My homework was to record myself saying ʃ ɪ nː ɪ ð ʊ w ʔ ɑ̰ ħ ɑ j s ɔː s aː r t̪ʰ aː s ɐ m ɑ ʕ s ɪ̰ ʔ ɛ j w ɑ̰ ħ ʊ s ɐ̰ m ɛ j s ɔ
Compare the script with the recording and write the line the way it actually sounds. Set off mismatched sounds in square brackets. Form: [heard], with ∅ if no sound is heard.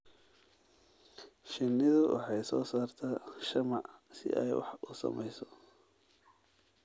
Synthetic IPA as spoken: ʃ ɪ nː ɪ ð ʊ w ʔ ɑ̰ ħ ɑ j s ɔː s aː r t̪ʰ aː [ʃ] ɐ m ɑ ʕ s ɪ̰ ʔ ɛ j w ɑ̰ ħ ʊ s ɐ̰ m ɛ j s ɔ